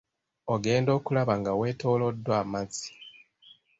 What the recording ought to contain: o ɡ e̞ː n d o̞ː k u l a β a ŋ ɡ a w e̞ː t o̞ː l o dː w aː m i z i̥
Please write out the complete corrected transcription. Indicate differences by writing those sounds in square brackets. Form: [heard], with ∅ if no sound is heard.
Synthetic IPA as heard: o ɡ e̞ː n d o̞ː k u l a β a ŋ ɡ a w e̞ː t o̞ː l o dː w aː m [a] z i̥